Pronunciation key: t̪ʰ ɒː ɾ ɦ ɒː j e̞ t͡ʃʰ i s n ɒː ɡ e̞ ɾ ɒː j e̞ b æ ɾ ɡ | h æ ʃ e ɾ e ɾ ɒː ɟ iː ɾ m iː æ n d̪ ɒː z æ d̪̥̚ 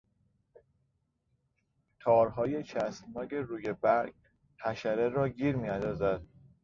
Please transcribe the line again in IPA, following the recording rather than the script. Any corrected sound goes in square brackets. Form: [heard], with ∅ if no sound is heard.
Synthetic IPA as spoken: t̪ʰ ɒː ɾ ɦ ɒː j e̞ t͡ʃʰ [æ] s n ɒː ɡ e̞ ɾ [uː] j e̞ b æ ɾ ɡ | h æ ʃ [æ] ɾ e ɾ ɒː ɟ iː ɾ m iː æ n d̪ ɒː z æ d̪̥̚